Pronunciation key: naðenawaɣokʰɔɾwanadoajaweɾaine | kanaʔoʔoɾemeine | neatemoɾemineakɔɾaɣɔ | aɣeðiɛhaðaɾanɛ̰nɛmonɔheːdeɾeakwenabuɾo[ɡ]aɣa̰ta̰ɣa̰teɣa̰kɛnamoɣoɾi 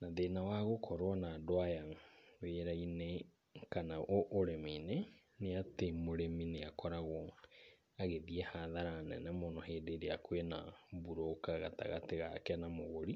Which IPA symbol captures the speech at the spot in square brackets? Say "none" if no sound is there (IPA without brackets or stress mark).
k